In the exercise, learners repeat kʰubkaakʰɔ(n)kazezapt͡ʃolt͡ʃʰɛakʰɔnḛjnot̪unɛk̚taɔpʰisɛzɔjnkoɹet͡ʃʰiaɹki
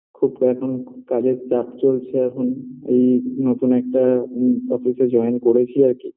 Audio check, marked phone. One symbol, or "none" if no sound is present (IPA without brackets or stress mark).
n